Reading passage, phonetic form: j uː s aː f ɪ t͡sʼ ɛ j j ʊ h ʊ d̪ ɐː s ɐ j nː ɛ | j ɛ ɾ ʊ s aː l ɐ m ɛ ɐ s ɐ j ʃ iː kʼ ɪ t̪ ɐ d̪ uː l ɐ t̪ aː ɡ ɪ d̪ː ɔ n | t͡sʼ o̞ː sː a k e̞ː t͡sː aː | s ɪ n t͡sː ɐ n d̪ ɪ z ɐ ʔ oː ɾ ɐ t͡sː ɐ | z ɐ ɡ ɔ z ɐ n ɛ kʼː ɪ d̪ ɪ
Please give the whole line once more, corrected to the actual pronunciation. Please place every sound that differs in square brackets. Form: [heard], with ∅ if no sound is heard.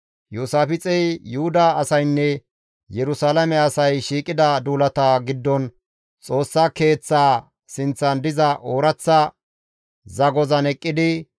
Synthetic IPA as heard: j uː s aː f ɪ t͡sʼ ɛ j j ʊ h ʊ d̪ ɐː s ɐ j nː ɛ | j ɛ ɾ ʊ s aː l ɐ m ɛ ɐ s ɐ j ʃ iː kʼ ɪ [d̪] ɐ d̪ uː l ɐ t̪ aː ɡ ɪ d̪ː ɔ n | t͡sʼ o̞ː sː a k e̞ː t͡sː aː | s ɪ n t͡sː ɐ n d̪ ɪ z ɐ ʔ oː ɾ ɐ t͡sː ɐ | z ɐ ɡ ɔ z ɐ n ɛ kʼː ɪ d̪ ɪ